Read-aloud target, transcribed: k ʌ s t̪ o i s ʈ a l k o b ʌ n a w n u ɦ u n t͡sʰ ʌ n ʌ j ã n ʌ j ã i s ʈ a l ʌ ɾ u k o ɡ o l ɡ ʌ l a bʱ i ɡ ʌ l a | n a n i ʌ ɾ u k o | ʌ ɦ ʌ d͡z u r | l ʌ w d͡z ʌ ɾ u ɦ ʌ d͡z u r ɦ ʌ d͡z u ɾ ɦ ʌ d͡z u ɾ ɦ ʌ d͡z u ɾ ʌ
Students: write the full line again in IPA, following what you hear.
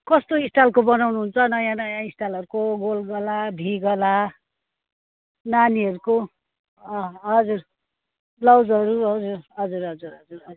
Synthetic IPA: k ʌ s t̪ o i s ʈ a l k o b ʌ n a w n u ɦ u n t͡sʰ ʌ n ʌ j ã n ʌ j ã i s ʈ a l ʌ ɾ u k o ɡ o l ɡ ʌ l a bʱ i ɡ ʌ l a | n a n i ʌ ɾ u k o | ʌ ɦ ʌ d͡z u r | l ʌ w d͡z ʌ ɾ u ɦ ʌ d͡z u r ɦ ʌ d͡z u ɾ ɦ ʌ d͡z u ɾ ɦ ʌ d͡z u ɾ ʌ

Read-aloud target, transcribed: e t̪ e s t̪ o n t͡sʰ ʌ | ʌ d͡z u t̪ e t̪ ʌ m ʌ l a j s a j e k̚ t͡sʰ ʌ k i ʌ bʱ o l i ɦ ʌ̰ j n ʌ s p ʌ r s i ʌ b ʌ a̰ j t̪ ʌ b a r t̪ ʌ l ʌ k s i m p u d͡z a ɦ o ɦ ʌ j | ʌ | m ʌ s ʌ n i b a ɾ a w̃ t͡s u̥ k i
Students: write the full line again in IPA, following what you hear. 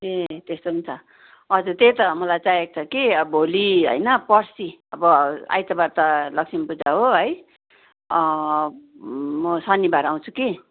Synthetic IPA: e t̪ e s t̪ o n t͡sʰ ʌ | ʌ d͡z u t̪ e t̪ ʌ m ʌ l a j t͡s a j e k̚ t͡sʰ ʌ k i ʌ bʱ o l i ɦ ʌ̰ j n ʌ p ʌ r s i ʌ b ʌ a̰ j t̪ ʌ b a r t̪ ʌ l ʌ k s i m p u d͡z a ɦ o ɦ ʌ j | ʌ | m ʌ s ʌ n i b a ɾ a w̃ t͡sʰ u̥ k i

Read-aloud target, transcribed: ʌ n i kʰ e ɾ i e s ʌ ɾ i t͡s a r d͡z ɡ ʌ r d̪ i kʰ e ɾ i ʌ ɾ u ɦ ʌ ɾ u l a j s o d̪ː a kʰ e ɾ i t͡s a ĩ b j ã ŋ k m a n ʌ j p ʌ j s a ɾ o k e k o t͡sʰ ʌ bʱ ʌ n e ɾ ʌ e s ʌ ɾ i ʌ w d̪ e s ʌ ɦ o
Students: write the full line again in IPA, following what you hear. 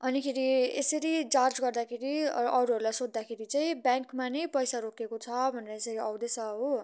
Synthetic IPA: ʌ n i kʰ e ɾ i e s ʌ ɾ i t͡s a r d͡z ɡ ʌ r d̪ a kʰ e ɾ i ʌ ɾ u ɦ ʌ ɾ u l a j s o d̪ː a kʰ e ɾ i t͡s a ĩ b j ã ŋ k m a n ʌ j p ʌ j s a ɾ o k e k o t͡sʰ ʌ bʱ ʌ n e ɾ ʌ e s ʌ ɾ i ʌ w d̪ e s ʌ ɦ o

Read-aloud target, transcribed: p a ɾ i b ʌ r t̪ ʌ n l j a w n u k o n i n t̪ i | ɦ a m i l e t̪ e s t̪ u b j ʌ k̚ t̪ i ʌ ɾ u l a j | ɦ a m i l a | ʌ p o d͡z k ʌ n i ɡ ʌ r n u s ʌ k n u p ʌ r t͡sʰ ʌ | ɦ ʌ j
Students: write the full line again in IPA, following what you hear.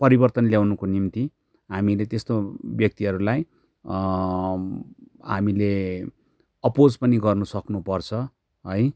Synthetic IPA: p ʌ ɾ i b ʌ r t̪ ʌ n l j a w n u k o n i m t̪ i | ɦ a m i l e t̪ e s t̪ o b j ʌ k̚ t̪ i ʌ ɾ u l a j | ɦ a m i l e | ʌ p o d͡z p ʌ n i ɡ ʌ r n u s ʌ k n u p ʌ r t͡sʰ ʌ | ɦ ʌ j

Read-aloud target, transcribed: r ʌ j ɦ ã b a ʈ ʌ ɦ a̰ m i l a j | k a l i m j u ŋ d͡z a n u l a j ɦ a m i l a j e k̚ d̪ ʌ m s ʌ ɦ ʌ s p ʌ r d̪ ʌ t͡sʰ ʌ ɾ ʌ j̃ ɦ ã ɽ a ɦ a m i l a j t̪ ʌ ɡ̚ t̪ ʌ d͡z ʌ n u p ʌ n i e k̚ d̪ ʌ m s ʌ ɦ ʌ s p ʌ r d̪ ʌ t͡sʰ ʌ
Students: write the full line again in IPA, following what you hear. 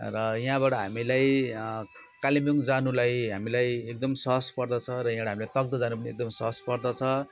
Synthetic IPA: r ʌ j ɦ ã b a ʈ ʌ ɦ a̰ m i l a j | k a l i m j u ŋ d͡z a n u l a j ɦ a m i l a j e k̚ d̪ ʌ m s ʌ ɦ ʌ s p ʌ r d̪ ʌ t͡sʰ ʌ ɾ ʌ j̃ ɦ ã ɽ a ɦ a m i l a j t̪ ʌ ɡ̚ d̪ ʌ d͡z a n u p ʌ n i e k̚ d̪ ʌ m s ʌ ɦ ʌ s p ʌ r d̪ ʌ t͡sʰ ʌ

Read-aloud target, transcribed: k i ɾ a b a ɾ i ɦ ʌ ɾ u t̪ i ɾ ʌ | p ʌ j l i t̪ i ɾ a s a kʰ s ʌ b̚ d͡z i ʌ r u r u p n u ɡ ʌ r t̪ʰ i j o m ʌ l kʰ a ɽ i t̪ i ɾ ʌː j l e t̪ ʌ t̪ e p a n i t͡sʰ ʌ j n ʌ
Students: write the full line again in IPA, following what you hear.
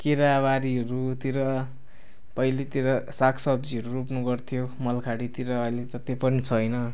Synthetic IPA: k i ɾ a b a ɾ i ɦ ʌ ɾ u t̪ i ɾ ʌ | p ʌ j l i t̪ i ɾ ʌ s a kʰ s ʌ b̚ d͡z i ʌ ɾ u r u p n u ɡ ʌ r t̪ʰ i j o m ʌ l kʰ a ɽ i t̪ i ɾ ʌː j l e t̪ ʌ t̪ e p ʌ n i t͡sʰ ʌ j n ʌ

